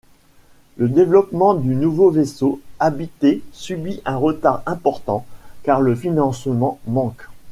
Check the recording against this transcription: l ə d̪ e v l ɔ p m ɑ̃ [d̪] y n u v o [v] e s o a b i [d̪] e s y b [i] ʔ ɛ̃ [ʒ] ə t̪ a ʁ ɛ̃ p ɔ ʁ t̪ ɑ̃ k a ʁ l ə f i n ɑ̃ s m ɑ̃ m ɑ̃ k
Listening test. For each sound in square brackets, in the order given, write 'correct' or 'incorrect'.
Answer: correct, correct, incorrect: t̪, correct, incorrect: ʁ

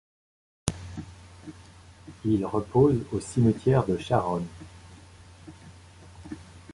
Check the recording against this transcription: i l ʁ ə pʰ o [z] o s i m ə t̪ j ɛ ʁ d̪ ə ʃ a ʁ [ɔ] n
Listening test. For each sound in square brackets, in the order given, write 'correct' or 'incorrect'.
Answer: correct, correct

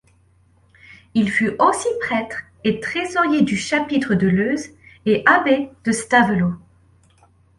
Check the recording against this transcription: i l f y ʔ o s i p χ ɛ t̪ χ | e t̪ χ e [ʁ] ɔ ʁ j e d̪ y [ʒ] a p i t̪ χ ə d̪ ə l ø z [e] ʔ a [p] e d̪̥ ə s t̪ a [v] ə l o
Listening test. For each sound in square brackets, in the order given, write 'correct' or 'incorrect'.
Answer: incorrect: z, incorrect: ʃ, correct, incorrect: b, correct

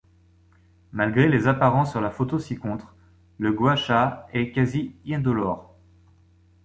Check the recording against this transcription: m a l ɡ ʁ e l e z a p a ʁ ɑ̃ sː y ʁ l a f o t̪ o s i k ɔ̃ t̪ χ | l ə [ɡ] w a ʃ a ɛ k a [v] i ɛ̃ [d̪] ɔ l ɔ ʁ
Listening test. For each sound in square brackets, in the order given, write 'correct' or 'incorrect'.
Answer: correct, incorrect: z, correct

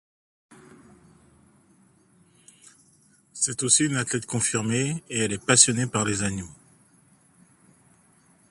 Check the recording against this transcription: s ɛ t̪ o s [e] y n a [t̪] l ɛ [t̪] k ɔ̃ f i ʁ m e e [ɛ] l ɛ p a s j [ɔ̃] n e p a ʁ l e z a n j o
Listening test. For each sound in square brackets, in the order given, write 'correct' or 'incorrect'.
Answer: incorrect: i, correct, correct, correct, incorrect: ɔ

